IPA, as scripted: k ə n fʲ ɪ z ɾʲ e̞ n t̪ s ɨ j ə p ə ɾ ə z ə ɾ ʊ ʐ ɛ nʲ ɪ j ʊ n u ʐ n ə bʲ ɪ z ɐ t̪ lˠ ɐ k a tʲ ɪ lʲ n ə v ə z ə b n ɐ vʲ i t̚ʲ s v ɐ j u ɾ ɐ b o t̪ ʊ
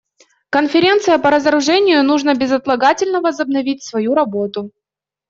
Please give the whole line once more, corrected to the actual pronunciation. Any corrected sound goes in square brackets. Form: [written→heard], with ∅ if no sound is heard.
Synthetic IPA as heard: k ə n fʲ ɪ [z→∅] ɾʲ e̞ n t̪ s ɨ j ə p ə ɾ ə z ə ɾ ʊ ʐ ɛ nʲ ɪ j ʊ n u ʐ n ə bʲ ɪ z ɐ t̪ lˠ ɐ [k→ɡ] a tʲ ɪ lʲ n ə v ə z ə b n ɐ vʲ i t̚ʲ s v ɐ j u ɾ ɐ b o t̪ ʊ